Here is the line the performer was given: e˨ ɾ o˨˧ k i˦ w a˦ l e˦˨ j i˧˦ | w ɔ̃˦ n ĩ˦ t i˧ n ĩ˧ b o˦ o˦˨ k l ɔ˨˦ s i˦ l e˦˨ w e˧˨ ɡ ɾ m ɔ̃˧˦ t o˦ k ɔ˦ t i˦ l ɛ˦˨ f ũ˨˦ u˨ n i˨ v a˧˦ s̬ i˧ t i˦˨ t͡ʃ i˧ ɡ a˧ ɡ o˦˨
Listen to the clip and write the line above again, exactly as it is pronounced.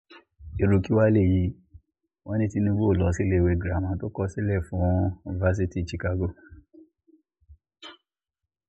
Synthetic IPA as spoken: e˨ ɾ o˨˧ k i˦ w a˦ l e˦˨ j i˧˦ | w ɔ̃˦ n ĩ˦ t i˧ n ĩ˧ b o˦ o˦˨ l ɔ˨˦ s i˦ l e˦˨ w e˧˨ ɡ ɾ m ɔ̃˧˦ t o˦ k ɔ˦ s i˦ l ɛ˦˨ f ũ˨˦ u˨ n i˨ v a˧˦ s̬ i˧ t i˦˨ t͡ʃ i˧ k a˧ ɡ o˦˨

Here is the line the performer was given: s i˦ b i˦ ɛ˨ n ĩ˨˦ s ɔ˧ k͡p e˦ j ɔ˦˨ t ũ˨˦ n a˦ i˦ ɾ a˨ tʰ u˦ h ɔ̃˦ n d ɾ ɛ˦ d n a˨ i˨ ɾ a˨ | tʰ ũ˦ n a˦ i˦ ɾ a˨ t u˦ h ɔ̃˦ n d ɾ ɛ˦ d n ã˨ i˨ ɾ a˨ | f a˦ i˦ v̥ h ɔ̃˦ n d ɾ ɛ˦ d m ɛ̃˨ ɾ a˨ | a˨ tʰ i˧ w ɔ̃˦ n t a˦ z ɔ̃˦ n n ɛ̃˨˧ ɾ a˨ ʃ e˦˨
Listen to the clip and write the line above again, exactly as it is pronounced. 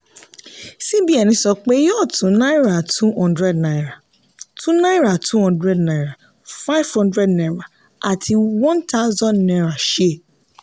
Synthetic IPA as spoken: s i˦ b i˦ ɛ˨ n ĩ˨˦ s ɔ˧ k͡p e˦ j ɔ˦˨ t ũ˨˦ n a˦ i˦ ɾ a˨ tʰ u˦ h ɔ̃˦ n d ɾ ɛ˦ d n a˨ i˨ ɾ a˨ | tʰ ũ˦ n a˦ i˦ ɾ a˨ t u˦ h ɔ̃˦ n d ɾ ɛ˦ d n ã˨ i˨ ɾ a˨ | f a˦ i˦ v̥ h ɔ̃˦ n d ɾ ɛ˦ d n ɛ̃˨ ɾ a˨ | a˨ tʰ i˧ w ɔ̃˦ n t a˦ z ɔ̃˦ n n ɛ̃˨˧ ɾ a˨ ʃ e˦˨

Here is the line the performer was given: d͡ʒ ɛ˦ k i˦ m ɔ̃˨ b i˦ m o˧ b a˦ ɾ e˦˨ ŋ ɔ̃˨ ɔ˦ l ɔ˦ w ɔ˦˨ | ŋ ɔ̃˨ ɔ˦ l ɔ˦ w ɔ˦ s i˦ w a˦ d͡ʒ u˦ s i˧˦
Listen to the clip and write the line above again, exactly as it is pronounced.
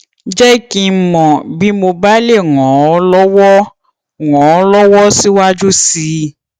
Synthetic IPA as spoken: d͡ʒ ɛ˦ k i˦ m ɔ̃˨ b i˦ m o˧ b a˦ l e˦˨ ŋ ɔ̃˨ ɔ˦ l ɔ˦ w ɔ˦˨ | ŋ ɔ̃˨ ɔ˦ l ɔ˦ w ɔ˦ s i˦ w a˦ d͡ʒ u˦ s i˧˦

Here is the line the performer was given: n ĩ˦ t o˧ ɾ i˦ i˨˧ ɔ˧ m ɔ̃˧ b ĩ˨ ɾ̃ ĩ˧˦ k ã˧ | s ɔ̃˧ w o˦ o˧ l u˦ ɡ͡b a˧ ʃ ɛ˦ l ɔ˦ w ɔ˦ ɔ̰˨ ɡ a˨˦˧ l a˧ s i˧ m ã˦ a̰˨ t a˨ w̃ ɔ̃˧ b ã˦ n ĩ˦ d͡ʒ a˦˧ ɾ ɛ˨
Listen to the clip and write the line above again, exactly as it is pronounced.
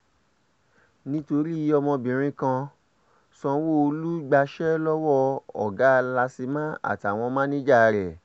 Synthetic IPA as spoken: n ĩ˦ t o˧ ɾ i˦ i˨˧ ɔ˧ m ɔ̃˧ b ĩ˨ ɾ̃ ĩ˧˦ k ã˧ | s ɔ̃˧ w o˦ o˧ l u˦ ɡ͡b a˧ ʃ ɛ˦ l ɔ˦ w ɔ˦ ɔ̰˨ ɡ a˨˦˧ l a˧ s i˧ m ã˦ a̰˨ t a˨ w̃ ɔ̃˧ m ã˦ n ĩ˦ d͡ʒ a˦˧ ɾ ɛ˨

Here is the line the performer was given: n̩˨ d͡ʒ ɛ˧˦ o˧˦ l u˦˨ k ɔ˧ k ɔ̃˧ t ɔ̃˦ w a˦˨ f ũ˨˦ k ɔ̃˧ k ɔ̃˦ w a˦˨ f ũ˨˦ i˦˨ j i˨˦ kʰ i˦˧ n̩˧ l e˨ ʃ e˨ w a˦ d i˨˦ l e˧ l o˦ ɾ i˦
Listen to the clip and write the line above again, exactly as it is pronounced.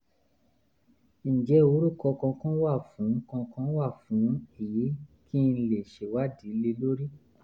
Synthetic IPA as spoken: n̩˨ d͡ʒ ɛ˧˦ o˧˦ ɾ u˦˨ k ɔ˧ k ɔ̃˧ k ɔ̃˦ w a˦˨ f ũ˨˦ k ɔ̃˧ k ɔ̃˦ w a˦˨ f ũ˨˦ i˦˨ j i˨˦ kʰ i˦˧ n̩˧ l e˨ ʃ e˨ w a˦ d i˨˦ l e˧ l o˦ ɾ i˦

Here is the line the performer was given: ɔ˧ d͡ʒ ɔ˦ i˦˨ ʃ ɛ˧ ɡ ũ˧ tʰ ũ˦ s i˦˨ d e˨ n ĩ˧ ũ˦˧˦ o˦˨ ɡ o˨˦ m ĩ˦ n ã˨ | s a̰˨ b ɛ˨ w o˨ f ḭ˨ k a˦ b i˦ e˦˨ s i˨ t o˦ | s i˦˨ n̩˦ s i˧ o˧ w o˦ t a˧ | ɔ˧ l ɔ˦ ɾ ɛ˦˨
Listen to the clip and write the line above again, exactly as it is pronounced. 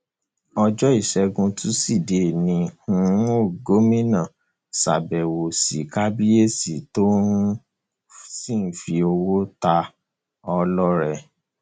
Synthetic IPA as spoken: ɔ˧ d͡ʒ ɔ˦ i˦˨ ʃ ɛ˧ ɡ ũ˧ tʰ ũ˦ s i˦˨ d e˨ n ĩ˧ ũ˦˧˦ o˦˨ ɡ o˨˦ m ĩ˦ n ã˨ | s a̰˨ b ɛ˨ w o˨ s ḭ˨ k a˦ b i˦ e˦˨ s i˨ t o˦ | s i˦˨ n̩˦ f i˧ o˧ w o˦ t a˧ | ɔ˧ l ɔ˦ ɾ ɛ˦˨

